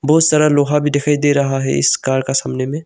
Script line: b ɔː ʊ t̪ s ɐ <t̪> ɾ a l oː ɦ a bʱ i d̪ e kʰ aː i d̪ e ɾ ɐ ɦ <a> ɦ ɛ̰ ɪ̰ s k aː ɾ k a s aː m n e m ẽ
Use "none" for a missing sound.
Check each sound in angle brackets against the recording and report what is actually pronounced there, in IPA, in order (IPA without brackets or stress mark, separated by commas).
none, a